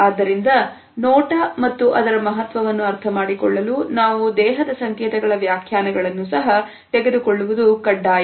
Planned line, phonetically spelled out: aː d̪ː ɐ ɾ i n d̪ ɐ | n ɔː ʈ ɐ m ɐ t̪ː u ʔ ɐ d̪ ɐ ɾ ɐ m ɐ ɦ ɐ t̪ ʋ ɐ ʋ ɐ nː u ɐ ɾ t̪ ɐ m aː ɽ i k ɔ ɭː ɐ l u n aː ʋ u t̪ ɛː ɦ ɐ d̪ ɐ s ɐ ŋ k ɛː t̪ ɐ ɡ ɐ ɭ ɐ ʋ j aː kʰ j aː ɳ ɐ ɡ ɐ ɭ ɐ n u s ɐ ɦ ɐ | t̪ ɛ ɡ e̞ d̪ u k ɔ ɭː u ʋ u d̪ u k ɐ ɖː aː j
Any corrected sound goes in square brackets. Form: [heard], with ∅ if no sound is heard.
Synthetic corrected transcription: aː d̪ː ɐ ɾ i n d̪ ɐ | n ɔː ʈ ɐ m ɐ t̪ː u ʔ ɐ d̪ ɐ ɾ ɐ m ɐ ɦ ɐ t̪ ʋ ɐ ʋ ɐ nː u ɐ ɾ [t̪ʰ] ɐ m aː ɽ i k ɔ ɭː ɐ l u n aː ʋ u [d̪] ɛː ɦ ɐ d̪ ɐ s ɐ ŋ k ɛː t̪ ɐ ɡ ɐ ɭ ɐ ʋ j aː kʰ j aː [n] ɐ ɡ ɐ ɭ ɐ [nː] u s ɐ ɦ ɐ | t̪ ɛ ɡ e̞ d̪ u k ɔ ɭː u ʋ u d̪ u k ɐ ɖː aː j